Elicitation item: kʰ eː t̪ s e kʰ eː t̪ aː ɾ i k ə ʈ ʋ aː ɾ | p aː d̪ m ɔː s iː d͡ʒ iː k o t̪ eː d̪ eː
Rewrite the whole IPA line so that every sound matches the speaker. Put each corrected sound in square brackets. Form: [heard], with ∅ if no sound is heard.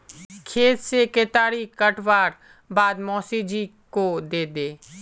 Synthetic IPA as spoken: kʰ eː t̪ s e [k] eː t̪ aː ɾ i k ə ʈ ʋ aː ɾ | [b] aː d̪ m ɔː s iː d͡ʒ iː k o [d̪] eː d̪ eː